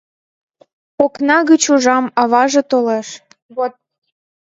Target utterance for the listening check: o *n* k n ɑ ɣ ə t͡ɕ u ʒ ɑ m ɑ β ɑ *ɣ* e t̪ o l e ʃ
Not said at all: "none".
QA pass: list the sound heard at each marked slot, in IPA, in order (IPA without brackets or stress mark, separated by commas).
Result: none, ʒ